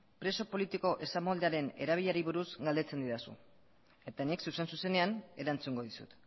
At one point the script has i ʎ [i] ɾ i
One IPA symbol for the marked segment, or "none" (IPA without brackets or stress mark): a